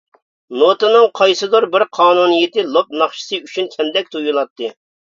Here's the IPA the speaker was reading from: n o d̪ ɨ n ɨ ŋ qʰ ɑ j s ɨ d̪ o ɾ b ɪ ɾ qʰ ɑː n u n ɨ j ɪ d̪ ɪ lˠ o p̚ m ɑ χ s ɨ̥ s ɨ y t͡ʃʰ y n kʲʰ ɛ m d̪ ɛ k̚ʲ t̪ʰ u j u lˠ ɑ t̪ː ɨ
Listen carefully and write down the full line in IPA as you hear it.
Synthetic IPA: n o t̪ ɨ n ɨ ŋ qʰ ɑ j s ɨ d̪ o ɾ b ɪ ɾ qʰ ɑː n u n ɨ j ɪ t̪ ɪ lˠ o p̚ n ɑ χ ʃ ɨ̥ s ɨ y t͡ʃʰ y n kʲʰ ɛ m d̪ ɛ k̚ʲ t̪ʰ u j u lˠ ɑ t̪ː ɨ